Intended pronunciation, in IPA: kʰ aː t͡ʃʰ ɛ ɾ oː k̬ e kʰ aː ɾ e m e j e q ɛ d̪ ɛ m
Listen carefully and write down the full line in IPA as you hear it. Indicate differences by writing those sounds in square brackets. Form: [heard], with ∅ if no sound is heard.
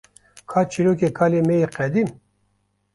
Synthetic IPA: kʰ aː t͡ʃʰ [i] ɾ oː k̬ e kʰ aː [l] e m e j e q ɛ d̪ [i] m